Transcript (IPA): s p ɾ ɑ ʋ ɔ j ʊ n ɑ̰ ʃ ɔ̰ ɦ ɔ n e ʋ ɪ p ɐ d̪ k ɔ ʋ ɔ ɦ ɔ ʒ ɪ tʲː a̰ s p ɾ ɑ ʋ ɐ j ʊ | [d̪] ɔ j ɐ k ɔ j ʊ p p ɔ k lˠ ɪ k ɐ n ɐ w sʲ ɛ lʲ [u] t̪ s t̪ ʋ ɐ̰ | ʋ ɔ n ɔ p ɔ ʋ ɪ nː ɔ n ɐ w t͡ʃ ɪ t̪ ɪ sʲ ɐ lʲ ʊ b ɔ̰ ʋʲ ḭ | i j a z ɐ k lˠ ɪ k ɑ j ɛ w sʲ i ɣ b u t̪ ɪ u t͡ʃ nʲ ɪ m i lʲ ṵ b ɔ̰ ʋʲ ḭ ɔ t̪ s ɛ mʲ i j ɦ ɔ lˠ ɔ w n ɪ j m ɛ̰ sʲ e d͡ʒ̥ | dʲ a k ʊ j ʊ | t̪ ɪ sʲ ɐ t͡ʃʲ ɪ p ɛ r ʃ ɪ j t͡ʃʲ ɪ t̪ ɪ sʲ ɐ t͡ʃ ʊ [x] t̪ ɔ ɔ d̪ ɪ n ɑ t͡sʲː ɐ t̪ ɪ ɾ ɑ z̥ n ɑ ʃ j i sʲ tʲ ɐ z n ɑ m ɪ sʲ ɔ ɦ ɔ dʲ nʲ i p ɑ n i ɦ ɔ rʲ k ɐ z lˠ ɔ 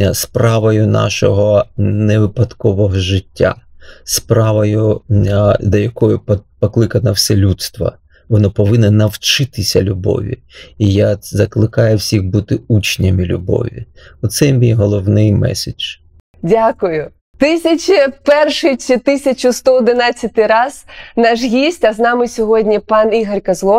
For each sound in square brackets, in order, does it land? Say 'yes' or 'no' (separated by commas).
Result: yes, yes, no